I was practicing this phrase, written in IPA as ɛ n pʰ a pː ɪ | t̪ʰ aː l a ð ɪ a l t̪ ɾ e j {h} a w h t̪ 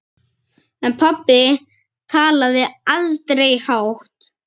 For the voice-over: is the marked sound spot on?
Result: yes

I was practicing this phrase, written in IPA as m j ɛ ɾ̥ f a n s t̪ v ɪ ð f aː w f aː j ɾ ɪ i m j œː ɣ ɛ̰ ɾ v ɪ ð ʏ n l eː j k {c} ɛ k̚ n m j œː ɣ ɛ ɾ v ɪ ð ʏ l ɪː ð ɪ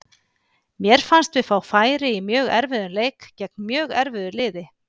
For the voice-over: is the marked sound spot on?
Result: yes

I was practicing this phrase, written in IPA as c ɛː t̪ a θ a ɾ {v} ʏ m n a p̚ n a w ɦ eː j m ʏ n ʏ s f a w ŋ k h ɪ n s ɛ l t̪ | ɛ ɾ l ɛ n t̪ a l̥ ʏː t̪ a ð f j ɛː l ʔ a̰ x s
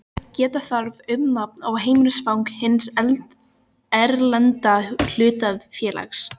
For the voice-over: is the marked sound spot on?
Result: yes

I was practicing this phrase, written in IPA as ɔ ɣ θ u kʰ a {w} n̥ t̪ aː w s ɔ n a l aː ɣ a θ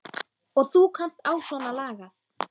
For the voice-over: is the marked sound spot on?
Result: no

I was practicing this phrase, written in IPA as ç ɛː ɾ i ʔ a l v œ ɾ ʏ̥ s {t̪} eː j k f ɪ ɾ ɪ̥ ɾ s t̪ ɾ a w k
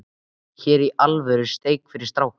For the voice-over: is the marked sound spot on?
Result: yes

